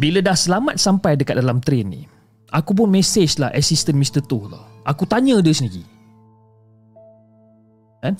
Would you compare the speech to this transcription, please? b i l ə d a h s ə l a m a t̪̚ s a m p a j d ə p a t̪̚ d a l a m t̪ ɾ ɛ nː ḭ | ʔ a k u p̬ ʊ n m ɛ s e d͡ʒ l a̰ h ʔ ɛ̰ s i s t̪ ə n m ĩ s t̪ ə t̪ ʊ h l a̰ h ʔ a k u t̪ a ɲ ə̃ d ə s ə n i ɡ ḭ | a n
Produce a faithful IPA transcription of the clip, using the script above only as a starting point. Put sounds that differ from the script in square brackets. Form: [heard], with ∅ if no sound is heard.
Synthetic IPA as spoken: b i l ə d a h s ə l a m a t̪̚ s a m p a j d ə [k] a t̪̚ d a l a m t̪ ɾ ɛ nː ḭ | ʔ a k u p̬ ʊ n m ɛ s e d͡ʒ l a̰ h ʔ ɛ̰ s i s t̪ ə n m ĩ s t̪ ə t̪ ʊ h l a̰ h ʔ a k u t̪ a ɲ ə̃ d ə s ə n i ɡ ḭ | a n